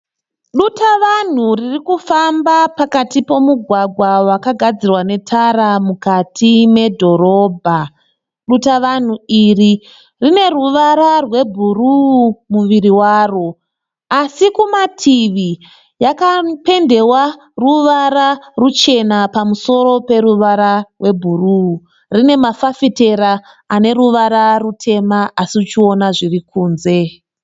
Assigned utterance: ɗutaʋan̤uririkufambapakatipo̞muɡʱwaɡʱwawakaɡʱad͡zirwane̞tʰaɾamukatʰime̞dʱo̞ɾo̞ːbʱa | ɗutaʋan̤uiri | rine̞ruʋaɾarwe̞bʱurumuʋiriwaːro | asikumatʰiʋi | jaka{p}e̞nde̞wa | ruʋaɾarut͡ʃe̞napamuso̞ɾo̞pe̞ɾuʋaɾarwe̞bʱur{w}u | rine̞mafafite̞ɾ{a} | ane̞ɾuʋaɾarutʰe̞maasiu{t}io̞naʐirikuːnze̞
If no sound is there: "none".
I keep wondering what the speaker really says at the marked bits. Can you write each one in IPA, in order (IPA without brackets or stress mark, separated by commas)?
p, u, a, t͡ʃ